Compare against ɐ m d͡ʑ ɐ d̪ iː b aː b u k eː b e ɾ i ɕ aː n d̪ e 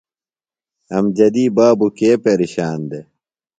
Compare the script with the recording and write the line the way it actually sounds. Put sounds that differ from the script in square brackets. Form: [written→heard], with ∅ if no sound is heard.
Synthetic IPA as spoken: ɐ m d͡ʑ ɐ d̪ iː b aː b u k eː [b→p] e ɾ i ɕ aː n d̪ e